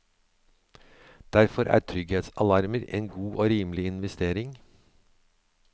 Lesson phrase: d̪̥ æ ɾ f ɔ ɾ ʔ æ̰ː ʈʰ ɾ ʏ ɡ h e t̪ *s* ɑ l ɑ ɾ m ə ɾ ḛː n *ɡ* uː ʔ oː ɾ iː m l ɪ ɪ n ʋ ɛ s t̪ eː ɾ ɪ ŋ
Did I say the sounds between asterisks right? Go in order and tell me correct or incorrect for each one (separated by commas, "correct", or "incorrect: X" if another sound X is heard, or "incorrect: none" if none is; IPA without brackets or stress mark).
correct, correct